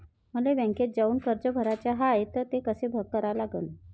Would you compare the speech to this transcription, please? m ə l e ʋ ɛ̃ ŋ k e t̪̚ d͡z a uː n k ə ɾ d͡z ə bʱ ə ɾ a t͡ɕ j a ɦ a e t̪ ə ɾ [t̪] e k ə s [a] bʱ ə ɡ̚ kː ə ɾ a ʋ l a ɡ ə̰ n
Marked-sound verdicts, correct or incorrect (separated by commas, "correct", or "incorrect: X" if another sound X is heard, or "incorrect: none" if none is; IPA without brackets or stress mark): correct, incorrect: e